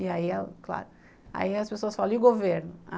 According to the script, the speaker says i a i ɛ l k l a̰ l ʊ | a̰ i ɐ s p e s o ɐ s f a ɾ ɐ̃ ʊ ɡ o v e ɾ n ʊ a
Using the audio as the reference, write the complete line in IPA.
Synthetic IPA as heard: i a i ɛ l k l a̰ ɾ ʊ | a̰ i ɐ s p e s o ɐ s f a l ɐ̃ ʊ ɡ o v e ɾ n ʊ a